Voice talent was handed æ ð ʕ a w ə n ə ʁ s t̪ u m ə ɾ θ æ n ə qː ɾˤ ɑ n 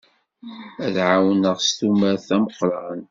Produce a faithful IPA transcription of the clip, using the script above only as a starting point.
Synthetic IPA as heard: æ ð ʕ a w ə n ə ʁ s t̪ u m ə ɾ θ æ m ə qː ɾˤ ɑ n